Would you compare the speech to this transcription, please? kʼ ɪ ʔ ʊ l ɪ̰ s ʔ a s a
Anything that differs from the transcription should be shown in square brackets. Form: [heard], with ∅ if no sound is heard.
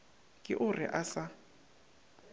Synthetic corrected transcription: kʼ ɪ ʔ ʊ [r] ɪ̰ [∅] ʔ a s a